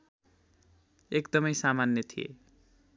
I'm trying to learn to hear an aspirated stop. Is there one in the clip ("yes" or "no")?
yes